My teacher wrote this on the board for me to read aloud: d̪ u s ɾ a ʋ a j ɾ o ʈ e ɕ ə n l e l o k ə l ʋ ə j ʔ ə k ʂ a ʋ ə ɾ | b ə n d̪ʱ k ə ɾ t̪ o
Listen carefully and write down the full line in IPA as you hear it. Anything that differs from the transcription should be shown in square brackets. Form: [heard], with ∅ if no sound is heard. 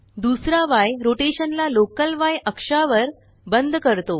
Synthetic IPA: d̪ u s ɾ a ʋ a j ɾ o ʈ e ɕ ə n l [a] l o k ə l ʋ [a] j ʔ ə k ʂ a ʋ ə ɾ | b ə n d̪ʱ k ə ɾ t̪ o